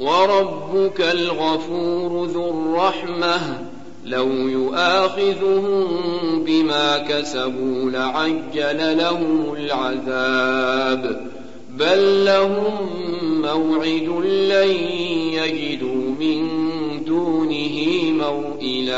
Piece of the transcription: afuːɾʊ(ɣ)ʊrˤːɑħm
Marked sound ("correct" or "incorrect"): incorrect